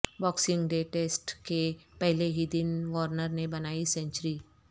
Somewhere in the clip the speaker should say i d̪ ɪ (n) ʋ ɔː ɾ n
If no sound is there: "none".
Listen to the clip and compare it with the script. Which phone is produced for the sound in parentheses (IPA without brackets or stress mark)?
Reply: n